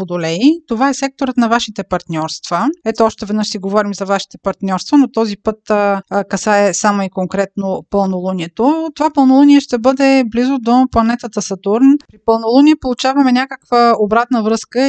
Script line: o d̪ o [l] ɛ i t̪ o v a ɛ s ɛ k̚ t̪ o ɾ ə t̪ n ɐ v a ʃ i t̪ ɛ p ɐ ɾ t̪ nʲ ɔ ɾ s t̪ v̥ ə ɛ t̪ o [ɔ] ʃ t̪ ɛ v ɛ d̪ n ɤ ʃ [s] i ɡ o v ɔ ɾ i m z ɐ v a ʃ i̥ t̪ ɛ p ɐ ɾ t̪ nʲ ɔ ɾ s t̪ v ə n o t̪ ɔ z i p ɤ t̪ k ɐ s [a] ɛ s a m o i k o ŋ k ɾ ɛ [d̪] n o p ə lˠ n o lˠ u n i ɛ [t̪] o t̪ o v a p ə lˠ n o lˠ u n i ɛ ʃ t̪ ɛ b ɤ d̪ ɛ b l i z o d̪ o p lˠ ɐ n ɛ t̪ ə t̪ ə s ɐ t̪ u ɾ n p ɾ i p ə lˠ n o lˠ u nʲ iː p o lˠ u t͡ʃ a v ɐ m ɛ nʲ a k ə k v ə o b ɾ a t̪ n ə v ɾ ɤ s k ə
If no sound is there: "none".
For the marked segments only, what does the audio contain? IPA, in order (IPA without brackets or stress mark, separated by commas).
l, ɔ, s, a, t̪, t̪